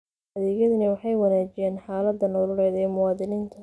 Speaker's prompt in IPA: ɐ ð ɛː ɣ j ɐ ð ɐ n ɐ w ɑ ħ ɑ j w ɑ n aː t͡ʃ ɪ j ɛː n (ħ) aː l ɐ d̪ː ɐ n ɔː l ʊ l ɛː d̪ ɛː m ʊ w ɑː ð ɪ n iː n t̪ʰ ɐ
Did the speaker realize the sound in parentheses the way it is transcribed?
yes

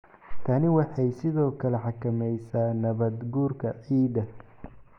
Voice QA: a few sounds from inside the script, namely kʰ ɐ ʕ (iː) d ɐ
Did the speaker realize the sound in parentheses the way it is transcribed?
yes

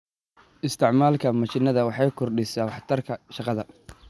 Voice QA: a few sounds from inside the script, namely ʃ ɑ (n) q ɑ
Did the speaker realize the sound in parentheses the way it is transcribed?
no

